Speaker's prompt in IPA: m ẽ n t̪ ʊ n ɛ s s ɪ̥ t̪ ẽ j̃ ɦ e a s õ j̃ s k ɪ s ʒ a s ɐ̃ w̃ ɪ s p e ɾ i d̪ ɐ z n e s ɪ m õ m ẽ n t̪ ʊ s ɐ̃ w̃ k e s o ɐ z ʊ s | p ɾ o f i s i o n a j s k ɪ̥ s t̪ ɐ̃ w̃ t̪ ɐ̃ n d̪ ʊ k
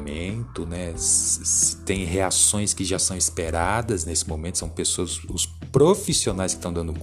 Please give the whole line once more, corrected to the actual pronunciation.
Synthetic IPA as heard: m ẽ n t̪ ʊ n ɛ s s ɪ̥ t̪ ẽ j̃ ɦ e a s õ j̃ s k ɪ ʒ a s ɐ̃ w̃ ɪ s p e ɾ a d̪ ɐ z n e s ɪ m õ m ẽ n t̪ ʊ s ɐ̃ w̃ p e s o ɐ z ʊ s | p ɾ o f i s i o n a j s k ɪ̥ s t̪ ɐ̃ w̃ d̪ ɐ̃ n d̪ ʊ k